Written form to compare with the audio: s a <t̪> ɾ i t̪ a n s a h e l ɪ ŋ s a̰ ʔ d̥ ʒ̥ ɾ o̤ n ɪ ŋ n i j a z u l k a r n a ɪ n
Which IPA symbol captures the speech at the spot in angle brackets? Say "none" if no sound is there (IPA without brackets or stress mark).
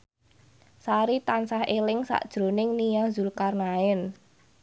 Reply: none